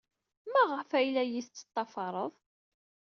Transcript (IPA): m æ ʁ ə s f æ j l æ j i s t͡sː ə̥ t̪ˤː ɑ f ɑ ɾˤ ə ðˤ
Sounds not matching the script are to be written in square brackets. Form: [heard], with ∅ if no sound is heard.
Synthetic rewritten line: m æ ʁ ə [∅] f æ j l æ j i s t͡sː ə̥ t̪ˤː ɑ f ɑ ɾˤ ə ðˤ